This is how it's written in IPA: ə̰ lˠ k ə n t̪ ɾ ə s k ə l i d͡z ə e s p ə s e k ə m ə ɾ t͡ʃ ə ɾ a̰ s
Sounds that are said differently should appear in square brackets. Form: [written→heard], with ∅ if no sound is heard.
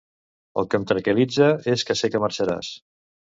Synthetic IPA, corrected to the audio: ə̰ lˠ k ə [n→m] t̪ ɾ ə [s→∅] k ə l i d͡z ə e s [p→k] ə s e k ə m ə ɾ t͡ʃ ə ɾ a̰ s